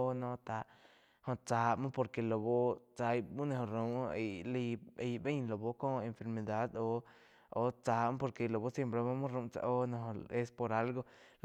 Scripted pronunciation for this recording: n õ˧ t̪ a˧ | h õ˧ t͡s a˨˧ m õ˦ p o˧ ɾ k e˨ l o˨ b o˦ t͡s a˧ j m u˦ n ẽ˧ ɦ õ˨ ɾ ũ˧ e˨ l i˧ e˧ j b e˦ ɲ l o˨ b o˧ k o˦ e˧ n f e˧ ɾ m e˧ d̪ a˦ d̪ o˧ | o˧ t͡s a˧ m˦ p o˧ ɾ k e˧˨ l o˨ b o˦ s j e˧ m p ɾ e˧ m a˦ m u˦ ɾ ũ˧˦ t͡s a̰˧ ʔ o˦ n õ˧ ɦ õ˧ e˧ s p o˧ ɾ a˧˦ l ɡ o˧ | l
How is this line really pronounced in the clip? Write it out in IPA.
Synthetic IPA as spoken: n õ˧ t̪ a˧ | h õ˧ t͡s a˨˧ m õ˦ p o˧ ɾ k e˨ l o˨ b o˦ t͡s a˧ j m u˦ n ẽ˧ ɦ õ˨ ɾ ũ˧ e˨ l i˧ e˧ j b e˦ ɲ l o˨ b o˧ k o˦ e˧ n f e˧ ɾ m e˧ d̪ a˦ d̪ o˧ | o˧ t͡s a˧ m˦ p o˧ ɾ k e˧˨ l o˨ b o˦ s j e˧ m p ɾ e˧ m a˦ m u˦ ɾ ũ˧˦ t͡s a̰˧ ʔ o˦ n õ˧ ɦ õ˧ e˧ s p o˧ ɾ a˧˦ l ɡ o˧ | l